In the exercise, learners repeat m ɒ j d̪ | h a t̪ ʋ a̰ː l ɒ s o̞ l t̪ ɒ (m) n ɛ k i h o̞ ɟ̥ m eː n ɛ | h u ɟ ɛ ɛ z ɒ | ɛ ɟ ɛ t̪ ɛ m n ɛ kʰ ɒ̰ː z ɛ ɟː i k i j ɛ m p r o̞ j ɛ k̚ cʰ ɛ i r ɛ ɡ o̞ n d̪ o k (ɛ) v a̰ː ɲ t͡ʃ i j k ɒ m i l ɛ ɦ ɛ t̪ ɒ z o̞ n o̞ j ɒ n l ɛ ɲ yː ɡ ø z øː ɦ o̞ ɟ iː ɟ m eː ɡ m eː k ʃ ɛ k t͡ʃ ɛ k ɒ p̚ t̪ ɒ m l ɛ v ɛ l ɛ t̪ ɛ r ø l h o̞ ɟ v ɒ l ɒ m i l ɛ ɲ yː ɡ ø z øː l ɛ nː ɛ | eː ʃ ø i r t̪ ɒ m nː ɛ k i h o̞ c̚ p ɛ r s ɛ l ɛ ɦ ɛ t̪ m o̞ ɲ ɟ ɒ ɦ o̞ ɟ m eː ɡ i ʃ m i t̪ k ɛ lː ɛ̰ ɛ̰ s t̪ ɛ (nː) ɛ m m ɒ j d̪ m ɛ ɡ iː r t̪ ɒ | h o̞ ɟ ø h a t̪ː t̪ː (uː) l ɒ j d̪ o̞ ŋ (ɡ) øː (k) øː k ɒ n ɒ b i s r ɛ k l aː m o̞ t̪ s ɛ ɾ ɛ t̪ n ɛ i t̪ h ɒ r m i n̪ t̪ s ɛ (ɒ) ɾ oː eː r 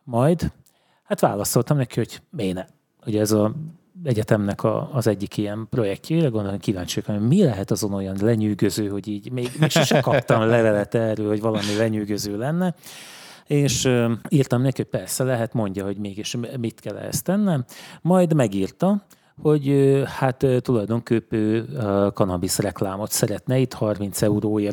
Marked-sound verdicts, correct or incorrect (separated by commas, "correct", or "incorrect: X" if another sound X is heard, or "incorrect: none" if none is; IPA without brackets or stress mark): correct, incorrect: i, correct, incorrect: u, incorrect: k, incorrect: p, incorrect: u